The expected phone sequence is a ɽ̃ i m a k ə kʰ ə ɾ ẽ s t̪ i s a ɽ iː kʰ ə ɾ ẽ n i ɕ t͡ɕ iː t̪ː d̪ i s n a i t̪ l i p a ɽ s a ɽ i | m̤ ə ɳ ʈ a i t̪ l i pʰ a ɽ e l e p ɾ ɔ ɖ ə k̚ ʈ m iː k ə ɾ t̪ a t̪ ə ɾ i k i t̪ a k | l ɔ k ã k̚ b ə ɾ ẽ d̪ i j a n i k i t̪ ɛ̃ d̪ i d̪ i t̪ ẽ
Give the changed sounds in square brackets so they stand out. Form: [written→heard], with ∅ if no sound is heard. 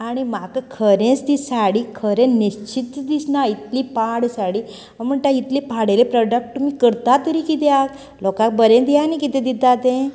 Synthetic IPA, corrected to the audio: a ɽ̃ i m a k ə kʰ ə ɾ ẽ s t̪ i s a ɽ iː kʰ ə ɾ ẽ n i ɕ t͡ɕ [iː→i] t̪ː d̪ i s n a i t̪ l i p a ɽ s a ɽ i | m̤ ə ɳ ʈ a i t̪ l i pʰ a ɽ e l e p ɾ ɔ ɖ ə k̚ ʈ m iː k ə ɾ t̪ a t̪ ə ɾ i k i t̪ a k | l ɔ k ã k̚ b ə ɾ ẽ d̪ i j a n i k i t̪ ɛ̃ d̪ i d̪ [i→a] t̪ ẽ